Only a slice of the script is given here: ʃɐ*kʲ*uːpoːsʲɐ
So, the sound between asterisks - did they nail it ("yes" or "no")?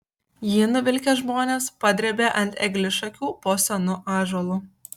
yes